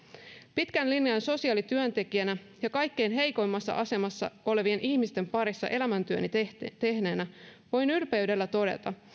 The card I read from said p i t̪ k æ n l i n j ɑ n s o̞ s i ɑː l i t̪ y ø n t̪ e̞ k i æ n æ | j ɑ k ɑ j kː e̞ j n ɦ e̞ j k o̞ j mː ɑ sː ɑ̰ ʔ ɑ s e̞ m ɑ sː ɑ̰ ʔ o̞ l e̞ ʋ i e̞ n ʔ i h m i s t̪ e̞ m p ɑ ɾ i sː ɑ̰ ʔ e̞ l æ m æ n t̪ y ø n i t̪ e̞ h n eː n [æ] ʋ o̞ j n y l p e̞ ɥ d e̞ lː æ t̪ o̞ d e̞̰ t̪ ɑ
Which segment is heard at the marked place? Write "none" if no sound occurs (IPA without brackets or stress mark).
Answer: æ